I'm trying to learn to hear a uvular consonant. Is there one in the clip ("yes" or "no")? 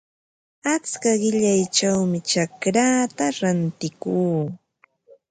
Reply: yes